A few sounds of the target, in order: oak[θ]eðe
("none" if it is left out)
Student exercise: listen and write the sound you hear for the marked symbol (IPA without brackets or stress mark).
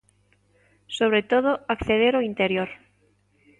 θ